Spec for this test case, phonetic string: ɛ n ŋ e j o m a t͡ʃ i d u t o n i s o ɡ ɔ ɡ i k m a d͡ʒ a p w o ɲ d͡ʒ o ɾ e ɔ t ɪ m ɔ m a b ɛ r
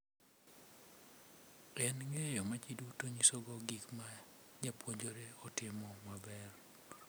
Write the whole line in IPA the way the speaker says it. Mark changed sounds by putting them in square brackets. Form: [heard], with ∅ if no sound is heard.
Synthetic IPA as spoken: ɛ n ŋ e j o m a t͡ʃ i d u t o [ɲ] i s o ɡ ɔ ɡ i k m a d͡ʒ a p w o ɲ d͡ʒ o ɾ e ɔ t ɪ m ɔ m a b ɛ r